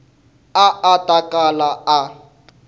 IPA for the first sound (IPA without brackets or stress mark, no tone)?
a